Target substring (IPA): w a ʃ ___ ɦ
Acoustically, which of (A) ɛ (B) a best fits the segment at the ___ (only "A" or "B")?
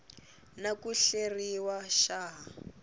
B